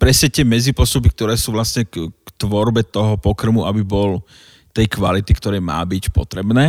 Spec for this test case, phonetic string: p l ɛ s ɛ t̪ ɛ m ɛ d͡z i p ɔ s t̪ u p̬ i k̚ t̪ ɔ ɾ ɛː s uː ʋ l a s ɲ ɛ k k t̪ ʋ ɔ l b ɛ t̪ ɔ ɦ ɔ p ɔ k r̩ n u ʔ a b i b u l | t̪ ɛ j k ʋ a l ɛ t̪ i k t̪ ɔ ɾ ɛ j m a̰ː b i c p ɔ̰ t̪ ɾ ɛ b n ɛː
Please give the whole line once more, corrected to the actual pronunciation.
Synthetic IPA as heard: p ɾ ɛ s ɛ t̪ ɛ m ɛ d͡z i p ɔ s t̪ u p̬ i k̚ t̪ ɔ ɾ ɛː s uː ʋ l a s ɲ ɛ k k t̪ ʋ ɔ ɾ b ɛ t̪ ɔ ɦ ɔ p ɔ k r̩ m u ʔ a b i b ɔ l | t̪ ɛ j k ʋ a l i t̪ i k t̪ ɔ ɾ ɛ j m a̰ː b i c p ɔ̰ t̪ ɾ ɛ b n ɛː